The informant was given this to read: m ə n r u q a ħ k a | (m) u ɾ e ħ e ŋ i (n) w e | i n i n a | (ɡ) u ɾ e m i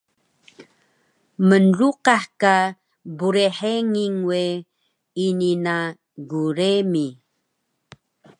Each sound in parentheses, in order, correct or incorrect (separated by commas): incorrect, incorrect, correct